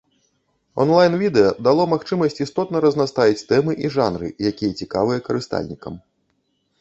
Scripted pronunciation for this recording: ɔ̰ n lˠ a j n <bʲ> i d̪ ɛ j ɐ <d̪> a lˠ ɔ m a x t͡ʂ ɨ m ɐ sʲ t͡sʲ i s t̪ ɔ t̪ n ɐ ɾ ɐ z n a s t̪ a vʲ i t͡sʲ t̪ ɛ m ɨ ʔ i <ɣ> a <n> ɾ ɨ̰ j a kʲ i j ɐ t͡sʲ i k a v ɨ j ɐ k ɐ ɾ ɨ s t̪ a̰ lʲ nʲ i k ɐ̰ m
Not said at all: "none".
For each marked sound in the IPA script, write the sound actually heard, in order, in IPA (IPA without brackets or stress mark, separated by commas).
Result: vʲ, d̪, ʐ, n